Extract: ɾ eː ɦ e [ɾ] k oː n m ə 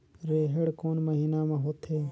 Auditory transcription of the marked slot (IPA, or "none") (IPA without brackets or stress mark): ɽ